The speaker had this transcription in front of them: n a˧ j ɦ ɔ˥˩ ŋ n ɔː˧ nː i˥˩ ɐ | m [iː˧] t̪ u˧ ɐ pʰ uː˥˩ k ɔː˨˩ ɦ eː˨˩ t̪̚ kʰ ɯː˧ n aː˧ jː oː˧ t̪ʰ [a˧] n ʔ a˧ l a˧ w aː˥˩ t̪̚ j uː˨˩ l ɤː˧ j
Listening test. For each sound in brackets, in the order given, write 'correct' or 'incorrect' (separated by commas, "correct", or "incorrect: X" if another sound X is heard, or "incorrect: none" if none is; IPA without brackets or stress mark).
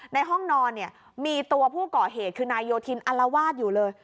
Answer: correct, incorrect: i˧